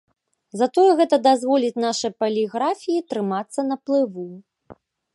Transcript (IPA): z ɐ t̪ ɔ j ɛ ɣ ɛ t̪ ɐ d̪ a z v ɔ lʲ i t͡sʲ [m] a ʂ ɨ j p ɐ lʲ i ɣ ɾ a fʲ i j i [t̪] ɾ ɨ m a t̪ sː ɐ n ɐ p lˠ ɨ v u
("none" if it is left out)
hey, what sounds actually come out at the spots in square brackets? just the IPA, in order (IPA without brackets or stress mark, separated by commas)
n, t̪